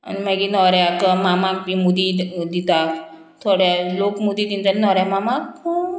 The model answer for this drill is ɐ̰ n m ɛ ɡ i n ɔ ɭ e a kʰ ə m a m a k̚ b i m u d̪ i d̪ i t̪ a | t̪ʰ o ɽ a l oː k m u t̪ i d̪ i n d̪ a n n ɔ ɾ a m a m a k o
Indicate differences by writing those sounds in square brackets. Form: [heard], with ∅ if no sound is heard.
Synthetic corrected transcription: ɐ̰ n m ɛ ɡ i n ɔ [ɾ] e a [k] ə m a m a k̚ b i m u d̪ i d̪ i t̪ a | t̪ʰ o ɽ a l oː k m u [d̪] i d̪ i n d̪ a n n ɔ ɾ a m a m a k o